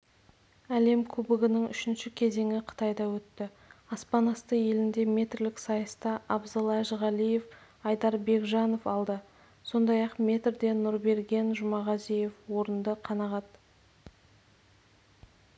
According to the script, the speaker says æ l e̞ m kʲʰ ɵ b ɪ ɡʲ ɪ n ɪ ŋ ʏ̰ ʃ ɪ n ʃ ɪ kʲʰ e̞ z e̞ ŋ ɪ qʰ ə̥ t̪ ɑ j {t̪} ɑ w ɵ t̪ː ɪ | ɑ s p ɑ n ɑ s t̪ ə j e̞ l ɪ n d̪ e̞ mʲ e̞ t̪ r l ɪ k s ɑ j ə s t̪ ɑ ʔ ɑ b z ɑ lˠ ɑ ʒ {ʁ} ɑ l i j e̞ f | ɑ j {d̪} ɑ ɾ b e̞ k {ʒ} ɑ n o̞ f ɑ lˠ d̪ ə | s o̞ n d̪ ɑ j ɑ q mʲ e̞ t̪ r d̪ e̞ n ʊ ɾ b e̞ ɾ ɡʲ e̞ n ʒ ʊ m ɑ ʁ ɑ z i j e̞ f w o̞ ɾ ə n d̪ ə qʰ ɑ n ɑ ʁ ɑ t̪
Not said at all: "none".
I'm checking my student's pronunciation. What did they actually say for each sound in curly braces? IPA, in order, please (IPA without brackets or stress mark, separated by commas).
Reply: d̪, ʁ, d̪, ʒ